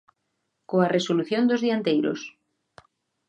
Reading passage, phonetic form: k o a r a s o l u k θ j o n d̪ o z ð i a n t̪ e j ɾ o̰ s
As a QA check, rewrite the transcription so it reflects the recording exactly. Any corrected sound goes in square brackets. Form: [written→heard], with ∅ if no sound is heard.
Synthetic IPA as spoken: k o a r [a→e] s o l u [k→∅] θ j o n d̪ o z ð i a n t̪ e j ɾ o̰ s